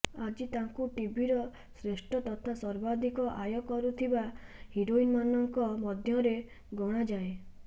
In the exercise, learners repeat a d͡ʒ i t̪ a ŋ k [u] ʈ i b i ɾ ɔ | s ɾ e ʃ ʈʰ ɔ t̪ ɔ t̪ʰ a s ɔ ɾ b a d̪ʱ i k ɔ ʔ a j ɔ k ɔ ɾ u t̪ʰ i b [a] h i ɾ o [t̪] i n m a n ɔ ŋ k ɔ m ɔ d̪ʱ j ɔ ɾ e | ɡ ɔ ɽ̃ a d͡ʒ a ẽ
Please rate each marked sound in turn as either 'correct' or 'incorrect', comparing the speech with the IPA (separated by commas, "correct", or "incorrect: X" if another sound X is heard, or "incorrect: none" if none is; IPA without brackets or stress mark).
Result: correct, correct, incorrect: none